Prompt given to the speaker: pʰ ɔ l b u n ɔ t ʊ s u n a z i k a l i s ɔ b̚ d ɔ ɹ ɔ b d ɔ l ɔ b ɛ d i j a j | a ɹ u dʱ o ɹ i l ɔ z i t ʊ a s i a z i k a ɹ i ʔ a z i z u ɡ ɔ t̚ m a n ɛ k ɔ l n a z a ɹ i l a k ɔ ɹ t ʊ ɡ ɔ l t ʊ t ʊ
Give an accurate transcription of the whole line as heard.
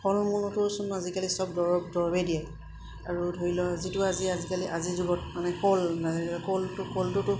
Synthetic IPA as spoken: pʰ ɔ l m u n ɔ t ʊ s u n a z i k a l i s ɔ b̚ d ɔ ɹ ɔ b d ɔ ɹ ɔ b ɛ d i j a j | a ɹ u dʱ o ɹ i l ɔ z i t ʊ a z i a z i k a l i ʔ a z i z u ɡ ɔ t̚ m a n ɛ k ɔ l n a z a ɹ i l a k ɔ l t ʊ k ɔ l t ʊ t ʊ